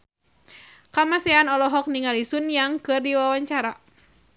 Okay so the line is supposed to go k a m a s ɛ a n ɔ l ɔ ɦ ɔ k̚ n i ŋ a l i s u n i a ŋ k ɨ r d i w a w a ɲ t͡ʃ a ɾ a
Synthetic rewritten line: k a m a s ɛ a n ɔ l ɔ ɦ ɔ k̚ n i ŋ a l i s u n j a ŋ k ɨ r d i w a w a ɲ t͡ʃ a ɾ a